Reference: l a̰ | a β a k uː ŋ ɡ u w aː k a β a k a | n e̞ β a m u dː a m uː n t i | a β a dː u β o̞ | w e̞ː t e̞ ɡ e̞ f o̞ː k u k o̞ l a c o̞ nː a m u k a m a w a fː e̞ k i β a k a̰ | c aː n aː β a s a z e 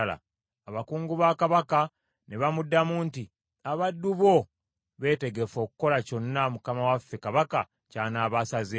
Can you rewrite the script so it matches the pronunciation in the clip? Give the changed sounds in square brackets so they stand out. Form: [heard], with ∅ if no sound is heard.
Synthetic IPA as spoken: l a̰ | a β a k uː ŋ ɡ u [β] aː k a β a k a | n e̞ β a m u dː a m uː n t i | a β a dː u β o̞ | [β] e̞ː t e̞ ɡ e̞ f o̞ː k u k o̞ l a c o̞ nː a m u k a m a w a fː e̞ k [a] β a k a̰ | c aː n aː β a s a z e